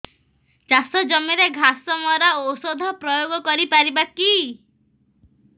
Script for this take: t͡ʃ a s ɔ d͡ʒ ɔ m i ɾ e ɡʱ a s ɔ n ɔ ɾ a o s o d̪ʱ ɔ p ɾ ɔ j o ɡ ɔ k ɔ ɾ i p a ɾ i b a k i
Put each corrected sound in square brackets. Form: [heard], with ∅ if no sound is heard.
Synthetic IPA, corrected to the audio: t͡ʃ a s ɔ d͡ʒ ɔ m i ɾ e ɡʱ a s ɔ [m] ɔ ɾ a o s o d̪ʱ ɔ p ɾ ɔ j o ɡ ɔ k ɔ ɾ i p a ɾ i b a k i